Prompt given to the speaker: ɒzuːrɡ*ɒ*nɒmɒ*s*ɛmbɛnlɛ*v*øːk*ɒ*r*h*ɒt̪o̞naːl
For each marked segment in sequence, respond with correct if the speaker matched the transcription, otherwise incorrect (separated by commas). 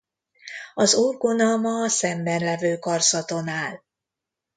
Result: incorrect, correct, correct, correct, incorrect